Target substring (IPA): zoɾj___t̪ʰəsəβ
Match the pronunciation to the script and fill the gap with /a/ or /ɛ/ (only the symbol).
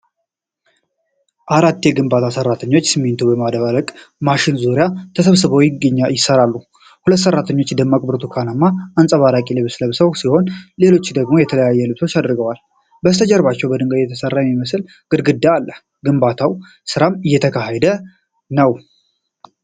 a